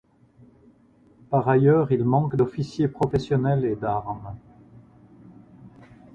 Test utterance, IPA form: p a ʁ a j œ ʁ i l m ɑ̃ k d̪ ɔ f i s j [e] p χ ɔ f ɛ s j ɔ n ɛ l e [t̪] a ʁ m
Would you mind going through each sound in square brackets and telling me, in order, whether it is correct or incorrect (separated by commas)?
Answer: correct, incorrect